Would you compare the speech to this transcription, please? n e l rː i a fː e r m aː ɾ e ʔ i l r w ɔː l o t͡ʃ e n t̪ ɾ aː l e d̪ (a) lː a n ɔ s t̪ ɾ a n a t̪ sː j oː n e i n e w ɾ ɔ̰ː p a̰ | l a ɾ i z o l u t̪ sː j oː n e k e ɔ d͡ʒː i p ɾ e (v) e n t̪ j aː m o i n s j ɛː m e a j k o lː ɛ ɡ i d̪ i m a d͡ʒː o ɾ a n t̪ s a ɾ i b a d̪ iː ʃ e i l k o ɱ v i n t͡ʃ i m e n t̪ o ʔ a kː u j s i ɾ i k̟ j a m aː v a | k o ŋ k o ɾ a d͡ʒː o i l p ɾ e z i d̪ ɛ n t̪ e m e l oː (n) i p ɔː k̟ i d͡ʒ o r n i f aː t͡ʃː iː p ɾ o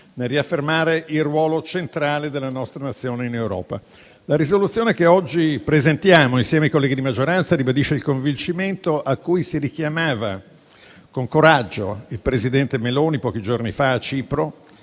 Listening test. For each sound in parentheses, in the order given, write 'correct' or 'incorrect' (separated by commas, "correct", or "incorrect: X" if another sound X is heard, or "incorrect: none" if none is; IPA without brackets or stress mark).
incorrect: e, incorrect: z, correct